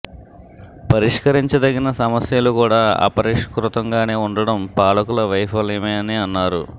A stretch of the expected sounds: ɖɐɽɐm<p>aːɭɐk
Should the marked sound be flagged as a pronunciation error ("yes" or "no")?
no